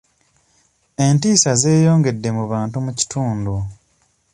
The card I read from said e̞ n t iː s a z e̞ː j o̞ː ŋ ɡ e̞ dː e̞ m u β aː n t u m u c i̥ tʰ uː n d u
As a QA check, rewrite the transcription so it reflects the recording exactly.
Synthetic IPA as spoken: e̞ n t iː s a z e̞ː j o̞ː ŋ ɡ e̞ dː e̞ m u β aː n t u m u c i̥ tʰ uː n d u